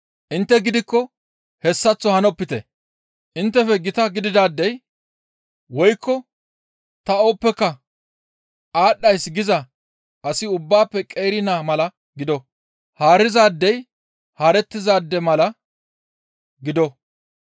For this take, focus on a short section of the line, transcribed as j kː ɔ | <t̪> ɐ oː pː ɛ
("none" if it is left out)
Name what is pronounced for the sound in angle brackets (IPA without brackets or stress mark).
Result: t̪